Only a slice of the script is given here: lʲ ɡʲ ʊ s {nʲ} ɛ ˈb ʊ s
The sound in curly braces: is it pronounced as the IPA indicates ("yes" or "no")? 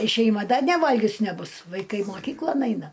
yes